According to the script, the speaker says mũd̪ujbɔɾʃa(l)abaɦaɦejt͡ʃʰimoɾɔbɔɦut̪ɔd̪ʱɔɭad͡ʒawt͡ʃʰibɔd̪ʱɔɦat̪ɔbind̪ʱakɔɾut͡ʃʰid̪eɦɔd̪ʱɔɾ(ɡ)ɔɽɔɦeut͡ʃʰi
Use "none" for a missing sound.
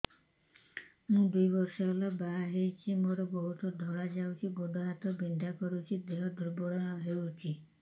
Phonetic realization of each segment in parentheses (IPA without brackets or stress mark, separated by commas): l, b